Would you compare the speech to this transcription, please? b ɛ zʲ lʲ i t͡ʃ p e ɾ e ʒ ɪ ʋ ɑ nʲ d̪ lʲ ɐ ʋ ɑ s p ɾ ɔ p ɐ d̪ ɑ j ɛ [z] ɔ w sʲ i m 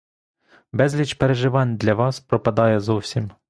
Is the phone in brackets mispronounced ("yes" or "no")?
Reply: no